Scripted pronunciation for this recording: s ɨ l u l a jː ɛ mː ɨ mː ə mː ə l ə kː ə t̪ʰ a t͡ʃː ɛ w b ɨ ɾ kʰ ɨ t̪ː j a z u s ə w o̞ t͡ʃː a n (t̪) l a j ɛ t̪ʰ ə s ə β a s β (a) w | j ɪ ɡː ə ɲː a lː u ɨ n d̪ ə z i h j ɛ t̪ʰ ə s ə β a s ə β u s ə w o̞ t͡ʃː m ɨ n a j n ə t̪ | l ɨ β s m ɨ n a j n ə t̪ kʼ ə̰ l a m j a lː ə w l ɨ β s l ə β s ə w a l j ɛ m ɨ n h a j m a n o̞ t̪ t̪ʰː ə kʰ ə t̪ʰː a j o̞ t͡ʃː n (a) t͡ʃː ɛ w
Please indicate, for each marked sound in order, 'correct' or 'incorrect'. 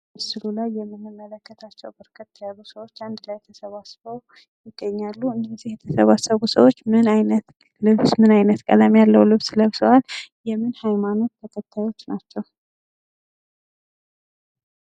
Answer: incorrect, incorrect, correct

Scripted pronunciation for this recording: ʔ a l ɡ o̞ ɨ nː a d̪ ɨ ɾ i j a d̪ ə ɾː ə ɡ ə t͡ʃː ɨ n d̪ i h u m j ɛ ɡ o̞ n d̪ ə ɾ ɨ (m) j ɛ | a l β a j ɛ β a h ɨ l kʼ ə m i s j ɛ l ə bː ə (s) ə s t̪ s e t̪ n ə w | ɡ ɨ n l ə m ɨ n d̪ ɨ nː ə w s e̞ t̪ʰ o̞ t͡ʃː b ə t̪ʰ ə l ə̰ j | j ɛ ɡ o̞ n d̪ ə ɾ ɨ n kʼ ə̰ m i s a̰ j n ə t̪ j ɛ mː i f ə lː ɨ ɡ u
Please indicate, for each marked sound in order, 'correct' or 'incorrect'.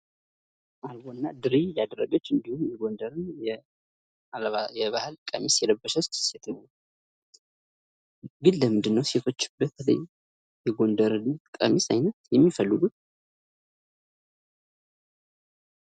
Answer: incorrect, incorrect

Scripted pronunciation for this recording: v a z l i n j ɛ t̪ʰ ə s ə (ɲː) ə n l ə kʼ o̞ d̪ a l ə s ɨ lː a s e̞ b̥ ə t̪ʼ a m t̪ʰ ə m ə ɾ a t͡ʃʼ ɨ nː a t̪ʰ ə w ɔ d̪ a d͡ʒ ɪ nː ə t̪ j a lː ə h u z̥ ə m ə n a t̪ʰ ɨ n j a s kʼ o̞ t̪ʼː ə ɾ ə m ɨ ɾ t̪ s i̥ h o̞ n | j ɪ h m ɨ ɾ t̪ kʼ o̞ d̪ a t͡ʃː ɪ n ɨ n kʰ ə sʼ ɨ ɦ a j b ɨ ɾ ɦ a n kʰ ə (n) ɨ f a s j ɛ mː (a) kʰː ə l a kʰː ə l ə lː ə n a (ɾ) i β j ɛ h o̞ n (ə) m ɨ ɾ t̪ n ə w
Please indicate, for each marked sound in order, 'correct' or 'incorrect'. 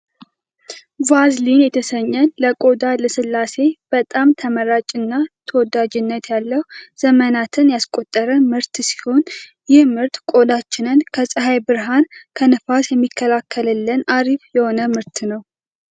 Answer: correct, correct, incorrect, correct, correct

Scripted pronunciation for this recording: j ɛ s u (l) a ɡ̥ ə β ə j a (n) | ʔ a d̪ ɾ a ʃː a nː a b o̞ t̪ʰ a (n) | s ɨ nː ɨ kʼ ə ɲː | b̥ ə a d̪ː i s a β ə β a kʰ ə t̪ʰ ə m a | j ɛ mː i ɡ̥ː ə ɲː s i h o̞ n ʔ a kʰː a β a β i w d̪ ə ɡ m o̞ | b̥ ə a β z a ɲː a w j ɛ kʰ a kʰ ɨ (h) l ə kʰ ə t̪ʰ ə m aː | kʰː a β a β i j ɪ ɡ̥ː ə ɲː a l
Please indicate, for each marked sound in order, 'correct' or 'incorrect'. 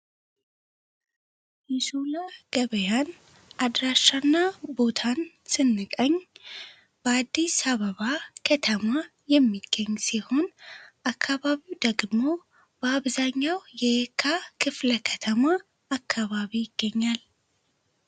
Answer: correct, correct, correct, incorrect

